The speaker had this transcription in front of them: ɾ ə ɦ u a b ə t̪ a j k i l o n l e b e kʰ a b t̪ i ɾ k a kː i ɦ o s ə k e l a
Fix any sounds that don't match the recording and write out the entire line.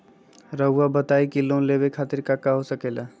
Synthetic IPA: ɾ ə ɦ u a b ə t̪ a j k i l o n l e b e kʰ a t̪ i ɾ k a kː a ɦ o s ə k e l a